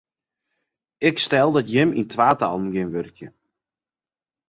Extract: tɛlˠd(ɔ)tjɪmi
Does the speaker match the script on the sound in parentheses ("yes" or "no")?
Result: yes